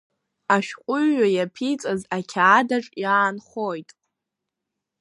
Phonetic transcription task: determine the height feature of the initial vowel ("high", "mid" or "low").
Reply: low